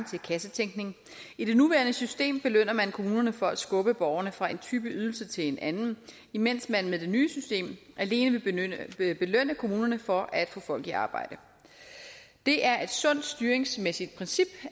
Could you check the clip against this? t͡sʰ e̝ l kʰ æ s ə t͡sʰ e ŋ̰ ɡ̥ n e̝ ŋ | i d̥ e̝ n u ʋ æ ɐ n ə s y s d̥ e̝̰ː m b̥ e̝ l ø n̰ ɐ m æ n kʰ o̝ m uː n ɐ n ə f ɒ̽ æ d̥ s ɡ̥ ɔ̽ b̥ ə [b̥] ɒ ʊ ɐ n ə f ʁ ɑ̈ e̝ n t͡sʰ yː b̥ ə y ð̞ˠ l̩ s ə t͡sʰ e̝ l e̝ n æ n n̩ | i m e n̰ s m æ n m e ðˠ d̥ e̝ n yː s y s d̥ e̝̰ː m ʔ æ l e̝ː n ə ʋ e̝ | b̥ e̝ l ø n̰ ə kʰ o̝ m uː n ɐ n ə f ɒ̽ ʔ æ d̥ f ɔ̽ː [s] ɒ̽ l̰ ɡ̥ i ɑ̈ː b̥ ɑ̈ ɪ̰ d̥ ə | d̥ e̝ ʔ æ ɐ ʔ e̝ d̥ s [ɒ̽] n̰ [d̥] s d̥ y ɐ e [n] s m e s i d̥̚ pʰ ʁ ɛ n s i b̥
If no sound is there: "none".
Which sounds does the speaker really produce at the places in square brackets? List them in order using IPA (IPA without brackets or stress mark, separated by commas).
b̥, f, ɔ̽, d̥, ŋ